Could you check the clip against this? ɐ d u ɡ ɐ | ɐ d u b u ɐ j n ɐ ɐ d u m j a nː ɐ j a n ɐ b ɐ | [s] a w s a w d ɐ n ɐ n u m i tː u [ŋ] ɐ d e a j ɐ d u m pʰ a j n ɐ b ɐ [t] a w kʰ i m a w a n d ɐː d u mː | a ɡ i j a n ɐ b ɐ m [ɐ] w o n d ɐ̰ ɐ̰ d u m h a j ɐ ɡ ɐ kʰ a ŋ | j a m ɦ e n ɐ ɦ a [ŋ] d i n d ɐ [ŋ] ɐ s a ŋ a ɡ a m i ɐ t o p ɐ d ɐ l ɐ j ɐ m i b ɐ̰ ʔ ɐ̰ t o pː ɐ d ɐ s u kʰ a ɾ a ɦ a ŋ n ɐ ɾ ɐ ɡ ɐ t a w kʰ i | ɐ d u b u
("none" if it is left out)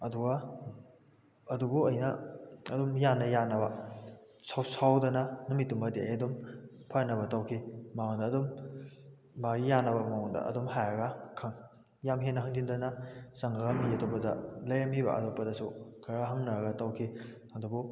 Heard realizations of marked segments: s, m, t, a, ŋ, n

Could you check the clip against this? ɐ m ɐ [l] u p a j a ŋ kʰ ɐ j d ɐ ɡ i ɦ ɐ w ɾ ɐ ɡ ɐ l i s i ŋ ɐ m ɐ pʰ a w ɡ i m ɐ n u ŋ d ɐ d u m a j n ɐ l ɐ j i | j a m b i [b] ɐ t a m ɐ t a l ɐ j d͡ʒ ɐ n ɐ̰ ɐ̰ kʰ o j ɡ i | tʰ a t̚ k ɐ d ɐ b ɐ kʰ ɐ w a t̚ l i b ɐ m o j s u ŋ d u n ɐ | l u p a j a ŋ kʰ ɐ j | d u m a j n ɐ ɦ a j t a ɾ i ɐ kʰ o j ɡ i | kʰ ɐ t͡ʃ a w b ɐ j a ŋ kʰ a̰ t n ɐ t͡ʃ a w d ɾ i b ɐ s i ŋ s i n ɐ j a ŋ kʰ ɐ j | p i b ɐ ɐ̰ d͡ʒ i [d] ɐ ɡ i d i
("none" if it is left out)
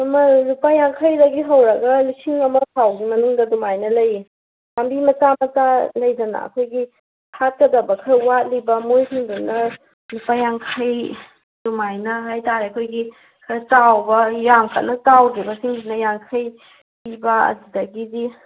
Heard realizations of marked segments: l, m, d

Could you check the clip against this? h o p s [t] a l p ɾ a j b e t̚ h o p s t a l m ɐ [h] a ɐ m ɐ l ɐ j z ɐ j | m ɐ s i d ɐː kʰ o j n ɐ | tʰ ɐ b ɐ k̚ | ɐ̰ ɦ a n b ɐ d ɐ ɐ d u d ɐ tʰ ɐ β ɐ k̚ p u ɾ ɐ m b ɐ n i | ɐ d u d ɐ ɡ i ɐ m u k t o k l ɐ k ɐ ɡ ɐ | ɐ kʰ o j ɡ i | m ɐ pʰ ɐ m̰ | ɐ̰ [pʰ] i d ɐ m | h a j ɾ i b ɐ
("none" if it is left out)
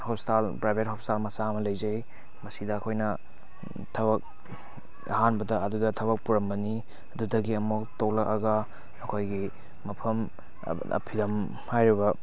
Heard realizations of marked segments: t, s, pʰ

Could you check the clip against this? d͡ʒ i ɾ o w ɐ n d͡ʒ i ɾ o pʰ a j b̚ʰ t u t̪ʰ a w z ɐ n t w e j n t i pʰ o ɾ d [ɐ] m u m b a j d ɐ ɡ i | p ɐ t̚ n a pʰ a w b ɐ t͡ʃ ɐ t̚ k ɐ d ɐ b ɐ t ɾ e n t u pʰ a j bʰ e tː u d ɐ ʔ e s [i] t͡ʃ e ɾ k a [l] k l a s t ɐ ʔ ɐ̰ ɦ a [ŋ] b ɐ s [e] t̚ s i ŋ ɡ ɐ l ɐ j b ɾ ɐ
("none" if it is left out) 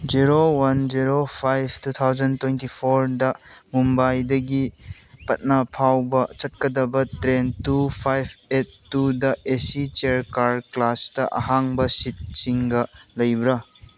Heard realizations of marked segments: ɐ, i, ɾ, ŋ, i

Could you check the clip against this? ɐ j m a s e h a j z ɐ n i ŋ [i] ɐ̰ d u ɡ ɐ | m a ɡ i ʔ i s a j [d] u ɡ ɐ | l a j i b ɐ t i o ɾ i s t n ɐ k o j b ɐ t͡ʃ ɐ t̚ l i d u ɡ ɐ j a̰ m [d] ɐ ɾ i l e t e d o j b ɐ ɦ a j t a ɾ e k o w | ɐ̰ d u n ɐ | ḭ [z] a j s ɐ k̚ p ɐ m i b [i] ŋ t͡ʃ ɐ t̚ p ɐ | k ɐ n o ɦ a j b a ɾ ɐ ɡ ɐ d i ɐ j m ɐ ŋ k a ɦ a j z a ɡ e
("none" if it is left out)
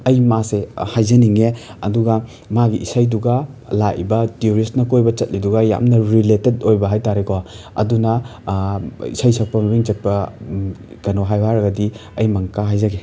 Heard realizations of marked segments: e, d, n, s, i

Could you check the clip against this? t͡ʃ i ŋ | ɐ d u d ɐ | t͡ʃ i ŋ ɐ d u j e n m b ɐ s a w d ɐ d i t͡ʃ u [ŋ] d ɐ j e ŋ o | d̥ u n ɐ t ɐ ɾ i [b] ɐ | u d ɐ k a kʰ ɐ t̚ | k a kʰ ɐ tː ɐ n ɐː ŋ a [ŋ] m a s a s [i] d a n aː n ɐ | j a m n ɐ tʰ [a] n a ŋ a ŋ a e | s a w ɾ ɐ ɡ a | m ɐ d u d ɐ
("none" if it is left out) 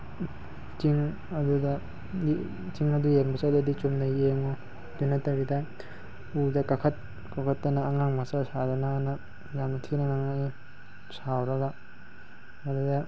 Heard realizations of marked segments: m, d, ŋ, a, i

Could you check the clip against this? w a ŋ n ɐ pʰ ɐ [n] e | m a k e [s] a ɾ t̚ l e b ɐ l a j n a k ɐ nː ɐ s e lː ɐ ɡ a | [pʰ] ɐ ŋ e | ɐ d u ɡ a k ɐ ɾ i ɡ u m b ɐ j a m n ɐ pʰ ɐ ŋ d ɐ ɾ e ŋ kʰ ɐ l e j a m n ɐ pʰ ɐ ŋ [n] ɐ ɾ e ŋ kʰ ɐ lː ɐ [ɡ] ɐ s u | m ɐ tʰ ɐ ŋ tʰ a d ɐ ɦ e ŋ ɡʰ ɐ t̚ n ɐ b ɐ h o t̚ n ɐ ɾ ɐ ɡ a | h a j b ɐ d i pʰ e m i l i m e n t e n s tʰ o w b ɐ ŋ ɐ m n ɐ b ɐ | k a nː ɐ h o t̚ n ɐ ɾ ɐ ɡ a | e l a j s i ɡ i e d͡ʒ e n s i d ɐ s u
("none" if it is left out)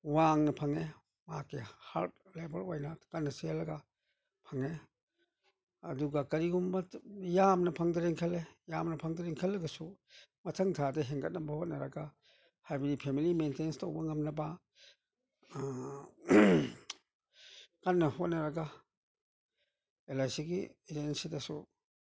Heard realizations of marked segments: ŋ, h, pʰ, d, ɡ

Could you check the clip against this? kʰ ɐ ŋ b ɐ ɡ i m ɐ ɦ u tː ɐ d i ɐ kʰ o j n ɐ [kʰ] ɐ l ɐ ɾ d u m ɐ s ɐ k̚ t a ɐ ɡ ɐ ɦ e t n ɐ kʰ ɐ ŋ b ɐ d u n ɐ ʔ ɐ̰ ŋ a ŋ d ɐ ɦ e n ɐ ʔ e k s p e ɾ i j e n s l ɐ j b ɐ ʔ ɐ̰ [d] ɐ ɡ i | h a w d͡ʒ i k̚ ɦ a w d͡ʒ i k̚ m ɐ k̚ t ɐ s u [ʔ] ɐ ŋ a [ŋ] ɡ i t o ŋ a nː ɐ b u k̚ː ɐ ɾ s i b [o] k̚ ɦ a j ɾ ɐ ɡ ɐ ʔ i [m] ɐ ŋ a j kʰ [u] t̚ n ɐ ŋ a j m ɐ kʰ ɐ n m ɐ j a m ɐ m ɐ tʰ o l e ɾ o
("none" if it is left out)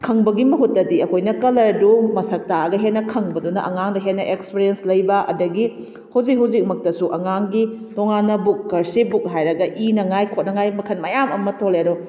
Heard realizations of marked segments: k, d, ʔ, ŋ, u, n, o

